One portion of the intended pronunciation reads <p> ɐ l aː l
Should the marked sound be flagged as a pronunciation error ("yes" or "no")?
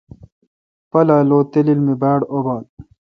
no